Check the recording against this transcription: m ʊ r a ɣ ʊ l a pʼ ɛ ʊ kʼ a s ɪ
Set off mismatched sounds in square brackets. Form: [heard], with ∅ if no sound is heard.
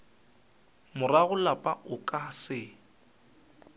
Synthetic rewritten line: m ʊ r a ɣ ʊ l a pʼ [a] ʊ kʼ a s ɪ